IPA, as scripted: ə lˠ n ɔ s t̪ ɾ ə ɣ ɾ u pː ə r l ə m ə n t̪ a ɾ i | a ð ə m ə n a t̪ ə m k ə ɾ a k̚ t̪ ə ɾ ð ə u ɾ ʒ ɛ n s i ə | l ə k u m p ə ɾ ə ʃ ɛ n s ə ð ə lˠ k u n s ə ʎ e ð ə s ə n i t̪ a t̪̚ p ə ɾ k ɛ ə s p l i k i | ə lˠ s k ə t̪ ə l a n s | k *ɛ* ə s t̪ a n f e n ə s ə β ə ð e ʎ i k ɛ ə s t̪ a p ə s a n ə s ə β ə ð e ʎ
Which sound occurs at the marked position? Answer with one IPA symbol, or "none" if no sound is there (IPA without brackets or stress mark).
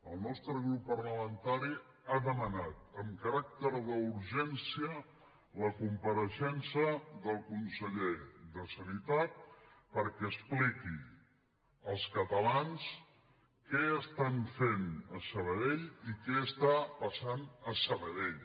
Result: ɛ